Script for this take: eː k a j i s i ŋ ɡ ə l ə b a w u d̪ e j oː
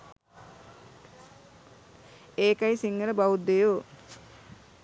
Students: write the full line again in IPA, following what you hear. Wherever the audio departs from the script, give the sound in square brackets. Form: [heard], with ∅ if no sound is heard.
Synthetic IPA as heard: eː k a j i s i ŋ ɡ ə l ə b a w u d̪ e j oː